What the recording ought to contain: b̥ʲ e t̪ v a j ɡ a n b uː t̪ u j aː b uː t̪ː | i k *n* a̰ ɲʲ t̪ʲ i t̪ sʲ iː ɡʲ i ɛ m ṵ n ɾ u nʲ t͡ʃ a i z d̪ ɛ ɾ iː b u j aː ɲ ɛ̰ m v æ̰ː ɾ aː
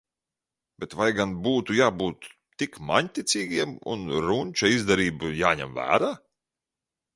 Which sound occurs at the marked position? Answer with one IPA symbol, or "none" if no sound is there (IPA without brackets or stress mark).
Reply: m